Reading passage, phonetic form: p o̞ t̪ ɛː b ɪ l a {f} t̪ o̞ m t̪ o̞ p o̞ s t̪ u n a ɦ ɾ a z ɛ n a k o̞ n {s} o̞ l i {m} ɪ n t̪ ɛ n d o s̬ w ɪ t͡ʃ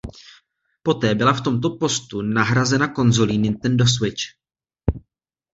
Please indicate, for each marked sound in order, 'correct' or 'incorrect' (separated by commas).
correct, incorrect, incorrect